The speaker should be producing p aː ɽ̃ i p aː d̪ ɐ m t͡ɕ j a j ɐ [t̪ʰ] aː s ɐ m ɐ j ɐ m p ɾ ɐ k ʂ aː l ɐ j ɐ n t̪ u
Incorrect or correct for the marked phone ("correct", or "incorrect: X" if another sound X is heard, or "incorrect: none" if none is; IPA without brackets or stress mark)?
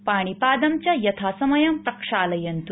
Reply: correct